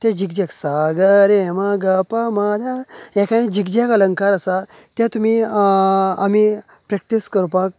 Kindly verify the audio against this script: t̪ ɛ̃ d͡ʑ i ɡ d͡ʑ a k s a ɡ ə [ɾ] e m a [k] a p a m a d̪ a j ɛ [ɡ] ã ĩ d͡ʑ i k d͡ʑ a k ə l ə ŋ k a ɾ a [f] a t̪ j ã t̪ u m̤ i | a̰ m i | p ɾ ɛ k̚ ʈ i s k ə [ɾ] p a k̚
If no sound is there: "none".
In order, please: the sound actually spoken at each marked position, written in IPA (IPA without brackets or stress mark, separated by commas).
ɾ, ɡ, k, s, ɾ